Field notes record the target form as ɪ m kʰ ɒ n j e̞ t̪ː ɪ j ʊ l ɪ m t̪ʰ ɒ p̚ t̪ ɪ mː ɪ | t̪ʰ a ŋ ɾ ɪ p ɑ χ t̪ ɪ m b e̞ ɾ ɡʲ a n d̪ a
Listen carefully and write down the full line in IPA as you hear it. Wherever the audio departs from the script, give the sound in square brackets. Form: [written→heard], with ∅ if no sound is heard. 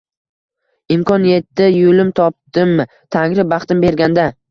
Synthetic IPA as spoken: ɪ m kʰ ɒ n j e̞ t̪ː ɪ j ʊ l ɪ m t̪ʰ ɒ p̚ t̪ ɪ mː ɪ | t̪ʰ a ŋ ɾ ɪ [p→b] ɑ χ t̪ ɪ m b e̞ ɾ ɡʲ a n d̪ a